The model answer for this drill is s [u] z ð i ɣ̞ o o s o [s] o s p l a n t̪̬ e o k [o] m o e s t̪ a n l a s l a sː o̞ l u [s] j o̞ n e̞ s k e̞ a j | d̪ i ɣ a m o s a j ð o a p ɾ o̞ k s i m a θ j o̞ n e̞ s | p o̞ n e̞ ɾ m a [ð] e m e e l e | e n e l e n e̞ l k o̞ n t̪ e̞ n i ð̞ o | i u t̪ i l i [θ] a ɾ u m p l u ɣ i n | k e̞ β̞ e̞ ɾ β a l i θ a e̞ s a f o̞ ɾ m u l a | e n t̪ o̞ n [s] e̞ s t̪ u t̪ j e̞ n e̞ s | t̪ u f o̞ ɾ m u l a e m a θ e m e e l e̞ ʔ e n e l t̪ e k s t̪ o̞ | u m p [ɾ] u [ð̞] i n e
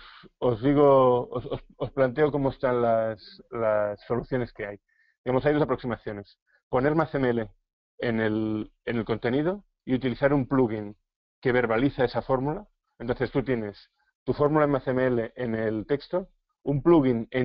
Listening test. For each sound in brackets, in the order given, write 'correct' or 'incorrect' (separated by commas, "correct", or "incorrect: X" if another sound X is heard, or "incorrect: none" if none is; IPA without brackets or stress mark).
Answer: incorrect: o, correct, correct, incorrect: θ, incorrect: θ, correct, incorrect: θ, incorrect: l, incorrect: ɣ̞